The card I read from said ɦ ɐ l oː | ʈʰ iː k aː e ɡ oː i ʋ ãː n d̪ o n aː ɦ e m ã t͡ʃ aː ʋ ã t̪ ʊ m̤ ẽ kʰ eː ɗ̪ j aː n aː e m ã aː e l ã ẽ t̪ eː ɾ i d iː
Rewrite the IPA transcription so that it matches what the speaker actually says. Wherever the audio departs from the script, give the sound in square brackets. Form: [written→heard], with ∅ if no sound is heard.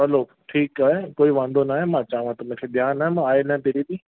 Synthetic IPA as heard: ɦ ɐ l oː | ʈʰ iː k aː e [ɡ→k] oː i ʋ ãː n d̪ o n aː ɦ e m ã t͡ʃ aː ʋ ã t̪ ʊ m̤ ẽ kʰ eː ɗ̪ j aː n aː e m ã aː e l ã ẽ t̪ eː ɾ i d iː

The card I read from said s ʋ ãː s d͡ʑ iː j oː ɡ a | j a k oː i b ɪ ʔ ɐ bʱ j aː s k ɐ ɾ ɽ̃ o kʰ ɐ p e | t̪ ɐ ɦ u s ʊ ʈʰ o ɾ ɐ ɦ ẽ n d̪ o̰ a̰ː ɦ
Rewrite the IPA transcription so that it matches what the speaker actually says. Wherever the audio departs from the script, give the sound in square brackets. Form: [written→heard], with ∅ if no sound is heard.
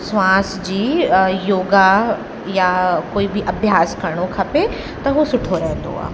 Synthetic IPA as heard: s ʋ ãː s d͡ʑ iː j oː ɡ a | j a k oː i b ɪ ʔ ɐ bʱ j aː s k ɐ ɾ ɽ̃ o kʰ ɐ p e | t̪ ɐ ɦ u s ʊ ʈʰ o ɾ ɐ ɦ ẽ n d̪ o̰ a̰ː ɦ

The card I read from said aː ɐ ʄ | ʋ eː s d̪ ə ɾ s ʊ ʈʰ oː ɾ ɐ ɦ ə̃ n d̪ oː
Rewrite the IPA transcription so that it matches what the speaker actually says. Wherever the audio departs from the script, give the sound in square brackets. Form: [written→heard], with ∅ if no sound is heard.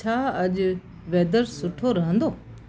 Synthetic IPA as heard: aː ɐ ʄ | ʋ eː [s→∅] d̪ ə ɾ s ʊ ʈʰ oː ɾ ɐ ɦ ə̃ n d̪ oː

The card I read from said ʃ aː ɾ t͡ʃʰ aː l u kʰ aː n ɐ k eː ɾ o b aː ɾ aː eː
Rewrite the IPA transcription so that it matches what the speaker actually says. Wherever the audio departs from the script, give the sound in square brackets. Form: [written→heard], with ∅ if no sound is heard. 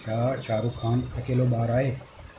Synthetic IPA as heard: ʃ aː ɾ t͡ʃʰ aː [l→ɾ] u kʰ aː n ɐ k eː [ɾ→l] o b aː ɾ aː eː

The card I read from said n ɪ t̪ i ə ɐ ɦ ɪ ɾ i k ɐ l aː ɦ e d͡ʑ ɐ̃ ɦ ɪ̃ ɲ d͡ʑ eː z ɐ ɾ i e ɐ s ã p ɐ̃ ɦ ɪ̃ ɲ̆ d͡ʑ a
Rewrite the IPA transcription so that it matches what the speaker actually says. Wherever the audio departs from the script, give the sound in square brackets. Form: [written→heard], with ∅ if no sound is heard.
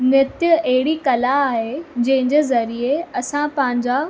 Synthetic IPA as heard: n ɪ t̪ [i→j] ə ɐ ɦ ɪ [ɾ→ɽ] i k ɐ l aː ɦ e d͡ʑ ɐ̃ ɦ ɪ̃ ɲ d͡ʑ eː z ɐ ɾ i e ɐ s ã p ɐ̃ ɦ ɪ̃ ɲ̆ d͡ʑ a

